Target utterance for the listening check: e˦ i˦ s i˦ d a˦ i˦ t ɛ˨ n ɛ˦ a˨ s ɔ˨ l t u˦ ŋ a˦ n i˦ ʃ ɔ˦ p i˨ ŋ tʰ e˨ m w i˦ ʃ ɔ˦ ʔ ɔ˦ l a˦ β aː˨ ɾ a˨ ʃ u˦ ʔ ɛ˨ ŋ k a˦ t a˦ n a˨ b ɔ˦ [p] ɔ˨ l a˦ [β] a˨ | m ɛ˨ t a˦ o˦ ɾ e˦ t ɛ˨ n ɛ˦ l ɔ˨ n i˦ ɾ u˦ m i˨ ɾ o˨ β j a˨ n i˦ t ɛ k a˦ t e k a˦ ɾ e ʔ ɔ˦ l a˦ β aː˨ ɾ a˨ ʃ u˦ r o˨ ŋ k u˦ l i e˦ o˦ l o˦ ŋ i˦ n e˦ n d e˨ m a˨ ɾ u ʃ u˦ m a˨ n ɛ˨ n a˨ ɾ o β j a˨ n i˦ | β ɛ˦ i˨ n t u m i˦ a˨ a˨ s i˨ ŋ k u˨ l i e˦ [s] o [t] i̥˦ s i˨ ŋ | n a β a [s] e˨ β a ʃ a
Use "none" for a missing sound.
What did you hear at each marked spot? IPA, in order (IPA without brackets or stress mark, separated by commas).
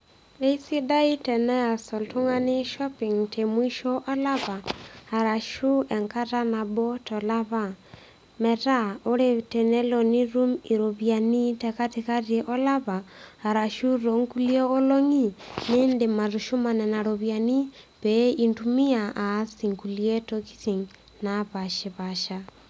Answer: t, β, t, k, ʃ